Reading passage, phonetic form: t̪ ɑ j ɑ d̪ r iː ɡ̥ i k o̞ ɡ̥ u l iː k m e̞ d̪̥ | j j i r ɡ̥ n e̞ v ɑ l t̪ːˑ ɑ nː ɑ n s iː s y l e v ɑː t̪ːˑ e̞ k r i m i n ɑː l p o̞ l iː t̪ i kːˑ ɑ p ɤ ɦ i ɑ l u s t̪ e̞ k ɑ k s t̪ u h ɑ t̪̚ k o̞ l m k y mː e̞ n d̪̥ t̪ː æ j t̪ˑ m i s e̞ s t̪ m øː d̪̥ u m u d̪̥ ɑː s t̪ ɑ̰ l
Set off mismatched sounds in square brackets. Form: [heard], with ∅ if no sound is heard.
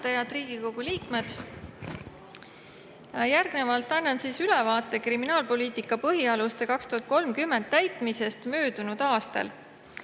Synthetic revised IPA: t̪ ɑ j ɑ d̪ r iː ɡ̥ i k o̞ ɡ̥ u l iː k m e̞ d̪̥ | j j [æ] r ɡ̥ n e̞ v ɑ l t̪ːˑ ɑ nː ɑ n s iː s y l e v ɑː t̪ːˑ e̞ k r i m i n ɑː l p o̞ l iː t̪ i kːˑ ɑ p ɤ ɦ i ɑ l u s t̪ e̞ k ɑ k s t̪ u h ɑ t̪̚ k o̞ l m k y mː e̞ n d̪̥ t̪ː æ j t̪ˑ m i s e̞ s t̪ m øː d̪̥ u [n] u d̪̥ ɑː s t̪ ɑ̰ l